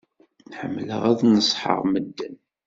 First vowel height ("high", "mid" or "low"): mid